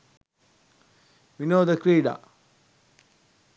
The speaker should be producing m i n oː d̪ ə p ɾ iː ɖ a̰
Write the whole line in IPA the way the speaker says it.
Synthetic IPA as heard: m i n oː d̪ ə k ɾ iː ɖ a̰